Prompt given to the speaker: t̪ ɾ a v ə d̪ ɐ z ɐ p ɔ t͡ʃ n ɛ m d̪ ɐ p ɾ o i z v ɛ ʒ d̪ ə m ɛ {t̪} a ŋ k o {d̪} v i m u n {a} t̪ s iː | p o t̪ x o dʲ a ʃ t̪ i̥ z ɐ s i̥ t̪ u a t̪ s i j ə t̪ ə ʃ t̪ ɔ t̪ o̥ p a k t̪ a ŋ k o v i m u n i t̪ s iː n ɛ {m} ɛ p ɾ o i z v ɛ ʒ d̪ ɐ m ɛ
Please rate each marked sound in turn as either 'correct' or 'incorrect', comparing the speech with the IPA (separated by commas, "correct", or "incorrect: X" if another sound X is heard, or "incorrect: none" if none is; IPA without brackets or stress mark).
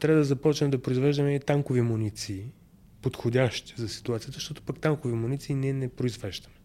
correct, incorrect: none, incorrect: i, incorrect: n